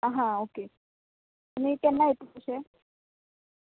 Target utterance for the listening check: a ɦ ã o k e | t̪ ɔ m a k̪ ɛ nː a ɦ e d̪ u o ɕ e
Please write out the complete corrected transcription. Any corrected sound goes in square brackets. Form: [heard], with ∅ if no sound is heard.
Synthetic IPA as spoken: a ɦ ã o k e | t̪ [u] m [i] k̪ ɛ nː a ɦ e [t̪] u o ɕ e